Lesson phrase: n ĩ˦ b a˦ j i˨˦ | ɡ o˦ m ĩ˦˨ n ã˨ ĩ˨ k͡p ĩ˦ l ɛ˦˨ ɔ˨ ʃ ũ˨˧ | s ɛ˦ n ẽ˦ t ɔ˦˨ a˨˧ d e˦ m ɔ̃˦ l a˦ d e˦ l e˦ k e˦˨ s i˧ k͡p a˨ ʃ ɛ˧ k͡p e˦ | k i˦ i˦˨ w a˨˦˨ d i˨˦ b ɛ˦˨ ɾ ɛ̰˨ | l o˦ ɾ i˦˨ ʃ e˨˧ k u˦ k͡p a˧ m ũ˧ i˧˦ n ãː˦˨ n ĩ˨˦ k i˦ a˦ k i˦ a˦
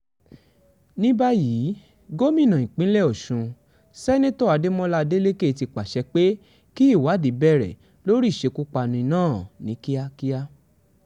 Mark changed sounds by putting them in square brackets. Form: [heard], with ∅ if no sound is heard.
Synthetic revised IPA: n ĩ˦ b a˦ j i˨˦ | ɡ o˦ m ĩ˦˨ n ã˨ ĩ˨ k͡p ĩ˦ l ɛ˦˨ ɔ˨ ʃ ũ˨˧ | s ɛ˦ n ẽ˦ t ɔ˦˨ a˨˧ d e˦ m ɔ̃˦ l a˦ d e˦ l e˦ k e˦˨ [t] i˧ k͡p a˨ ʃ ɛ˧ k͡p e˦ | k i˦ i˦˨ w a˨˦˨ d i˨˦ b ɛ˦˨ ɾ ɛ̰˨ | l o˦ ɾ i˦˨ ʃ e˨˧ k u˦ k͡p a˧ [n] ũ˧ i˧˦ n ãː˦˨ n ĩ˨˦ k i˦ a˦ k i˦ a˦